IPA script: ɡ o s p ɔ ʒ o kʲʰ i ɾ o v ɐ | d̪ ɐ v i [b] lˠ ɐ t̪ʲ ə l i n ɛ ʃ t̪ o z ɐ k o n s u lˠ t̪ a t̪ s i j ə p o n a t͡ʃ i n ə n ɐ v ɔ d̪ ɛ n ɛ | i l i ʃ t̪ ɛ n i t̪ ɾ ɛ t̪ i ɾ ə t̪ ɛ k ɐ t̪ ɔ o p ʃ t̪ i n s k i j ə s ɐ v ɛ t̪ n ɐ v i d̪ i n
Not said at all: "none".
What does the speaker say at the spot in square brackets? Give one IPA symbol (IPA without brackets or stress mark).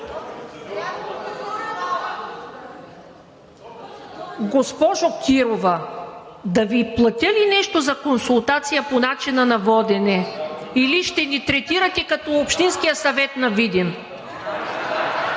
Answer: p